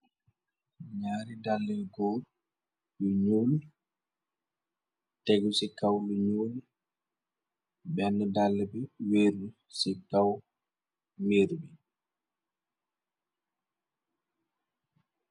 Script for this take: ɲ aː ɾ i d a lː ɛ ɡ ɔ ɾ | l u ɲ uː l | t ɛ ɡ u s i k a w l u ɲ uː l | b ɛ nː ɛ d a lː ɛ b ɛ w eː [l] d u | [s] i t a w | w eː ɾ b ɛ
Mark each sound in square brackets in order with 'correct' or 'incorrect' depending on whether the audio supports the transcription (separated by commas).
incorrect, correct